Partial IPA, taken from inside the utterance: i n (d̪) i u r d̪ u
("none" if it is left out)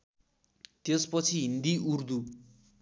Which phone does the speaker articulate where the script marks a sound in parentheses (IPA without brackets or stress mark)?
d̪